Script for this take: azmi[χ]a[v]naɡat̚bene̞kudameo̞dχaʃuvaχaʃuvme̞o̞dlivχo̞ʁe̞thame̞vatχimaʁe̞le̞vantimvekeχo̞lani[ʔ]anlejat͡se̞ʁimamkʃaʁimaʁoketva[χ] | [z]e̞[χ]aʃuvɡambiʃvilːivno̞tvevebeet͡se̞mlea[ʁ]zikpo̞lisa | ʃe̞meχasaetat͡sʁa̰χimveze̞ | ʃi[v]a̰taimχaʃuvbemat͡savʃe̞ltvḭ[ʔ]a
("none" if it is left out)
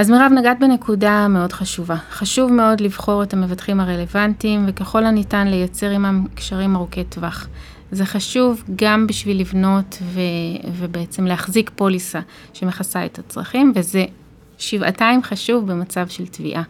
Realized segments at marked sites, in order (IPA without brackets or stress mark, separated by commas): ʁ, v, t, χ, z, χ, χ, v, ʔ